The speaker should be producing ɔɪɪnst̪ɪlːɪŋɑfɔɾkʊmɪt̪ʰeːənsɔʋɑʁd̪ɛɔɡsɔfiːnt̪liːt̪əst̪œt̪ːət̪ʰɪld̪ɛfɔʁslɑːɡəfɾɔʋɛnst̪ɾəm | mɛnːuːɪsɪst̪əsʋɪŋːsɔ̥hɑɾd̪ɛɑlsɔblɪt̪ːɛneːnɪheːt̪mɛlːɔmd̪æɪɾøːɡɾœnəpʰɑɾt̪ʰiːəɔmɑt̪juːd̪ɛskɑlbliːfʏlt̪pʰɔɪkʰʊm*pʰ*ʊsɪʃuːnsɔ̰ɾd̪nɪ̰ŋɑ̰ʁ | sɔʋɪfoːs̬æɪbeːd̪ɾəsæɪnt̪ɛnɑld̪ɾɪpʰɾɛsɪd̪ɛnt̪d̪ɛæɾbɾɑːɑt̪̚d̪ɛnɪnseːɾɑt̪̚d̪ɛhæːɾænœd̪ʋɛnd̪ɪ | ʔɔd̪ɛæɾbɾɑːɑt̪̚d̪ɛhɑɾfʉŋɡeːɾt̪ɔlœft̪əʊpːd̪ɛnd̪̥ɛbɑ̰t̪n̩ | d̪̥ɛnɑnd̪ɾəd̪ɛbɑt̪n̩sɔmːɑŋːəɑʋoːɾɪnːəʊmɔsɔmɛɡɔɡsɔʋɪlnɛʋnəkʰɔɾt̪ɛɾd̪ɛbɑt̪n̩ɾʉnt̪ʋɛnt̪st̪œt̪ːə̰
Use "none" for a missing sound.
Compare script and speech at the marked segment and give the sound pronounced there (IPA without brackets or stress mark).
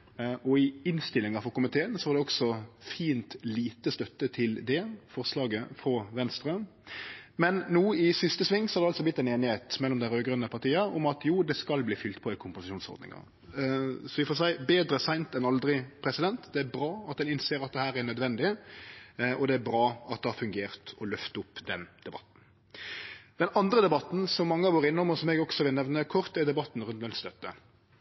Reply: p